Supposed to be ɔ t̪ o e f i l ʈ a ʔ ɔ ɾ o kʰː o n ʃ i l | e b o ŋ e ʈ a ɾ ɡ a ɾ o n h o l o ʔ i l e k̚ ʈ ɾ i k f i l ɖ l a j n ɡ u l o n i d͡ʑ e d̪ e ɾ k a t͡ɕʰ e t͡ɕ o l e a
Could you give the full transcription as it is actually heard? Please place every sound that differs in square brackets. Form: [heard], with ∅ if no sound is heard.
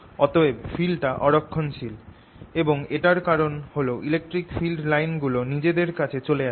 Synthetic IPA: ɔ t̪ o e f i l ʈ a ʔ ɔ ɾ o kʰː o n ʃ i l | e b o ŋ e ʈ a ɾ [k] a ɾ o n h o l o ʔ i l e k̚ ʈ ɾ i k f i l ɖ l a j n ɡ u l o n i d͡ʑ e d̪ e ɾ k a t͡ɕʰ e t͡ɕ o l e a